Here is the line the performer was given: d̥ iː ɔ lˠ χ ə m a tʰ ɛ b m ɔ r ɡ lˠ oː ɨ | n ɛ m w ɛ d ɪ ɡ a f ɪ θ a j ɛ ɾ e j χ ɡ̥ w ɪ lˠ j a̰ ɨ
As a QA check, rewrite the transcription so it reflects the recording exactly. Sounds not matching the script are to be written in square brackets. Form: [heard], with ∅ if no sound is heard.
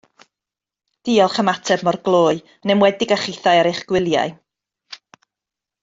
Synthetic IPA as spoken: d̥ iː ɔ lˠ χ ə m a tʰ ɛ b m ɔ r ɡ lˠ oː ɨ | n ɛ m w ɛ d ɪ ɡ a [χ] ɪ θ a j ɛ ɾ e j χ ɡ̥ w ɪ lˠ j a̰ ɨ